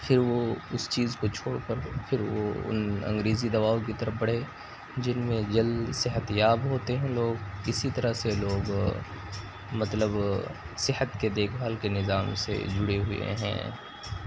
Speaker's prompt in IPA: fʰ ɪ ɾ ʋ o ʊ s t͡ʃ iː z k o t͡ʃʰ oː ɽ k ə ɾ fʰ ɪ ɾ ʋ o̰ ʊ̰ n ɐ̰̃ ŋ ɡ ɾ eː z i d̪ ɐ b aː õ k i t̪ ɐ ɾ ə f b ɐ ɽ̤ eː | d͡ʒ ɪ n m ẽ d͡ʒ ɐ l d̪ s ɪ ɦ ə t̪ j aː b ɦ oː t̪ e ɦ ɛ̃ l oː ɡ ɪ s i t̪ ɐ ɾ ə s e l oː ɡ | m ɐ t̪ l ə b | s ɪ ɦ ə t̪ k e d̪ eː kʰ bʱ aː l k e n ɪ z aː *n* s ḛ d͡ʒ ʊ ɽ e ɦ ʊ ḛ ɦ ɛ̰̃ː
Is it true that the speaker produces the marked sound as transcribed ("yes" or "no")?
no